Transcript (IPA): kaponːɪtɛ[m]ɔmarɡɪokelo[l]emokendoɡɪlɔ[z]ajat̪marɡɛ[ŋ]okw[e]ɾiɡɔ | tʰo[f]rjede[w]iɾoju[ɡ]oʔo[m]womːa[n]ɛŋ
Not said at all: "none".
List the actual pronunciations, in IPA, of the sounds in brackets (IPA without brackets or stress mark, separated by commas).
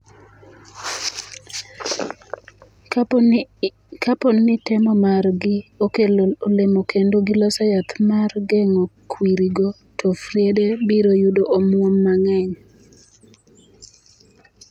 m, l, s, ŋ, i, f, b, d, m, ŋ